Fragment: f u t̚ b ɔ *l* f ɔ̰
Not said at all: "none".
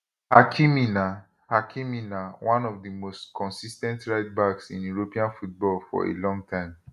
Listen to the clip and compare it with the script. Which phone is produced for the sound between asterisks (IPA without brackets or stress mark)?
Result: l